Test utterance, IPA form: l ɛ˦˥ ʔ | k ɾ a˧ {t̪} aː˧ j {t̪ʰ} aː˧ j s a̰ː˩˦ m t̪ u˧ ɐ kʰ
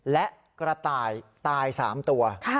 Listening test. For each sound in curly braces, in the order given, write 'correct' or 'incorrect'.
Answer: correct, incorrect: t̪

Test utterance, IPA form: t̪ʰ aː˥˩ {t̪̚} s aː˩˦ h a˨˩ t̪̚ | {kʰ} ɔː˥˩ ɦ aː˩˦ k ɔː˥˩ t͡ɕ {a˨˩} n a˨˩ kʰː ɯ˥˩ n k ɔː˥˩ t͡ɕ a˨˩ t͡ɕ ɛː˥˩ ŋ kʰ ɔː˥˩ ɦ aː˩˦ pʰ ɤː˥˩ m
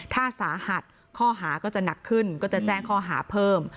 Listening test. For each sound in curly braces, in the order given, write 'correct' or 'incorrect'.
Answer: incorrect: none, correct, correct

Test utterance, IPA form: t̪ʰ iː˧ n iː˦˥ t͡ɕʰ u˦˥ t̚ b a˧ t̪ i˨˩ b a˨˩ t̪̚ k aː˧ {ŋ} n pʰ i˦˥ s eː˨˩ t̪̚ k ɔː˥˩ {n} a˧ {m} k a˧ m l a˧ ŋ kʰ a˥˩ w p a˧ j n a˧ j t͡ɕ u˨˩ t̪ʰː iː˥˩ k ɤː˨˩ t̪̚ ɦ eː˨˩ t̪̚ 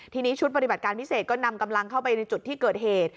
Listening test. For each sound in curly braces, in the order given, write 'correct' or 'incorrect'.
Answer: incorrect: none, correct, correct

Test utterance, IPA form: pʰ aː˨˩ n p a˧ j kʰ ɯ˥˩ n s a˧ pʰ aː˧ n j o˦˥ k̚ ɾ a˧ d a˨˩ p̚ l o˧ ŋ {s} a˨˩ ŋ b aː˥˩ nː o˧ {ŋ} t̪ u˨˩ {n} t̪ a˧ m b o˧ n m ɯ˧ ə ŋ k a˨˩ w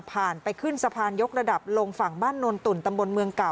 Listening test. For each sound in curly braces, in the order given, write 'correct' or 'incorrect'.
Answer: incorrect: f, incorrect: n, correct

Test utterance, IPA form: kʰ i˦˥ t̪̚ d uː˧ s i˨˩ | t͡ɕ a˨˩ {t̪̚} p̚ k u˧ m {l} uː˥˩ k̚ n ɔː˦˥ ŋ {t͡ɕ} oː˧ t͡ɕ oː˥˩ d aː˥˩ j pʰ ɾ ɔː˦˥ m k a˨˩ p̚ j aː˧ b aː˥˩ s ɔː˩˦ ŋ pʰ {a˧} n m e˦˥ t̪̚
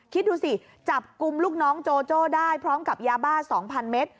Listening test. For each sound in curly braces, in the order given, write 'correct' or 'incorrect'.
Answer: incorrect: none, correct, correct, correct

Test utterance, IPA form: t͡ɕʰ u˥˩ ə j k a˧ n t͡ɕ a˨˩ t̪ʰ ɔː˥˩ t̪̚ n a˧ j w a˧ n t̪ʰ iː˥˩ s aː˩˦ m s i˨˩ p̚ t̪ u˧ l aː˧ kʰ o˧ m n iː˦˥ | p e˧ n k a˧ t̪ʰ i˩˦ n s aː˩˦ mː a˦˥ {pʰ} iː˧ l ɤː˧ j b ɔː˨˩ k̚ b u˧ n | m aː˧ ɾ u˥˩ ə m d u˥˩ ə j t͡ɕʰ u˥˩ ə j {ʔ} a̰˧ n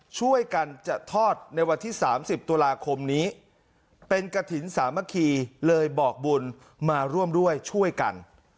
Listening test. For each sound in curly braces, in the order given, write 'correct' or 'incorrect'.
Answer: incorrect: kʰ, incorrect: k

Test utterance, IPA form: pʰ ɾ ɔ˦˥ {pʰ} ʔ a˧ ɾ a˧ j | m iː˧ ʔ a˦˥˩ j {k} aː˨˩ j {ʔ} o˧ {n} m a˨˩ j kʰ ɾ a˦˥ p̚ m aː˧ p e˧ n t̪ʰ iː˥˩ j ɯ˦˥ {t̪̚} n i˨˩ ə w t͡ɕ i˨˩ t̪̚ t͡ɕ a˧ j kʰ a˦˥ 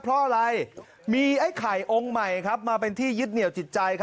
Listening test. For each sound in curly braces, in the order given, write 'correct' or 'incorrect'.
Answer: incorrect: none, incorrect: kʰ, correct, incorrect: ŋ, correct

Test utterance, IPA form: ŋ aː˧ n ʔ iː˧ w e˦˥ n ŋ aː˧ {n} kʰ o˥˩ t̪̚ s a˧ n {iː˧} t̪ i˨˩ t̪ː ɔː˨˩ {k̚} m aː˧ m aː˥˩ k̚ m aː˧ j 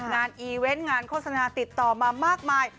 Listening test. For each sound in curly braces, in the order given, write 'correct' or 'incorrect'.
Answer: correct, incorrect: aː˧, incorrect: none

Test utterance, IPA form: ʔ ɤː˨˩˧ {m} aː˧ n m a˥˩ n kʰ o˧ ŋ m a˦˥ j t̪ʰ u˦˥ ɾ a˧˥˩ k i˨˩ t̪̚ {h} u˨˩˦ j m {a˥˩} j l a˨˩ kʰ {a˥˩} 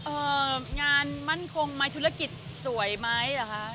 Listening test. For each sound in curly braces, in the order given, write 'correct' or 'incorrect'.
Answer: incorrect: ŋ, incorrect: s, incorrect: a˦˥, incorrect: a˦˥

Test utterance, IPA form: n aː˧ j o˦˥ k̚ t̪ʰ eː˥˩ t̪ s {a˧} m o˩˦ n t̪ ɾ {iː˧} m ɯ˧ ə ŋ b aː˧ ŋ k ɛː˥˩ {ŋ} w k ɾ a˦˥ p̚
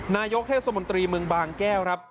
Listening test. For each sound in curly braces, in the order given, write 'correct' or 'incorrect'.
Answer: correct, correct, incorrect: none

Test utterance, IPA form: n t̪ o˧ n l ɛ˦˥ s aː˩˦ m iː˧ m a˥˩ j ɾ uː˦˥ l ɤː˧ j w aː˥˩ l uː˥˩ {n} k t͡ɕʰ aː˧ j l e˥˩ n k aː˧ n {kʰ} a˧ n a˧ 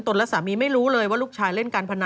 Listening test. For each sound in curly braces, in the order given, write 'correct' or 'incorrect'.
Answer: incorrect: none, incorrect: pʰ

